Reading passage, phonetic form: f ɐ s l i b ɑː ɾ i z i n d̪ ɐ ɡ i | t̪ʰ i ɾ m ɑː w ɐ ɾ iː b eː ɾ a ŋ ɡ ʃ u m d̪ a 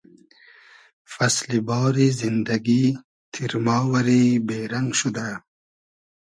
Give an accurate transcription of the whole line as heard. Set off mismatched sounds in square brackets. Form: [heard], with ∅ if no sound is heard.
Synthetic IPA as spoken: f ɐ s l i b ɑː ɾ i z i n d̪ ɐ ɡ i | t̪ʰ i ɾ m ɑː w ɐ ɾ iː b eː ɾ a ŋ ɡ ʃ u [∅] d̪ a